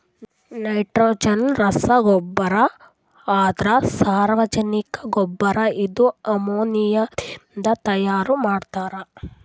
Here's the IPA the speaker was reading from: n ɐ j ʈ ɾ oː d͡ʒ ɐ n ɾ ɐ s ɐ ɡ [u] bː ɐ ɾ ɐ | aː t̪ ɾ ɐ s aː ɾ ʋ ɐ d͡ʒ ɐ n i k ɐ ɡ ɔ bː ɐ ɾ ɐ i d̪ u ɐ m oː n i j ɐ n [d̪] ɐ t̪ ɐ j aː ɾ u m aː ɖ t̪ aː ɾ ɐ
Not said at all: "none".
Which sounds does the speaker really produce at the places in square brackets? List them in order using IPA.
ɔ, d̪

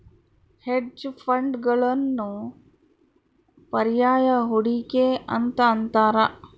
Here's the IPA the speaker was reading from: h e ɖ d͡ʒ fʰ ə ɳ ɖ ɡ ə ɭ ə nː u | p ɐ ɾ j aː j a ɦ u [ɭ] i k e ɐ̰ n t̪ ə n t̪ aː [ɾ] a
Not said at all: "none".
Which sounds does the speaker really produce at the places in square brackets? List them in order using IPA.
ɽ, ɾ

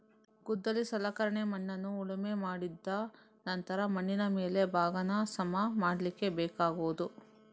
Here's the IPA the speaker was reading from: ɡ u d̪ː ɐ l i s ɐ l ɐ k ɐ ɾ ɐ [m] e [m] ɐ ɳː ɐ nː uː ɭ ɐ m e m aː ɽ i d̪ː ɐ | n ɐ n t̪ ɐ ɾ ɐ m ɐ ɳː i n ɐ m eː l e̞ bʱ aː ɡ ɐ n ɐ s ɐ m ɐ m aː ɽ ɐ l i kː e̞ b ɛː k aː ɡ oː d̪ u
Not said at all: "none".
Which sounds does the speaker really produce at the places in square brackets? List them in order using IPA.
ɳ, m

